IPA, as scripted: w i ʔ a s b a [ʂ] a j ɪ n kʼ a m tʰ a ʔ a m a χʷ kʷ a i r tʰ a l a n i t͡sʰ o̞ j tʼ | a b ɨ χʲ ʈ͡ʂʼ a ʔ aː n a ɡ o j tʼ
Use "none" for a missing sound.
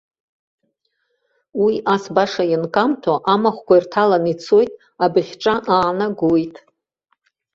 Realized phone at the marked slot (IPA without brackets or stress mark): ʂ